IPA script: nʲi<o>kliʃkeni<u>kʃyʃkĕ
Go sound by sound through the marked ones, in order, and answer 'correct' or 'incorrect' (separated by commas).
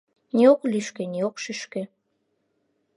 correct, incorrect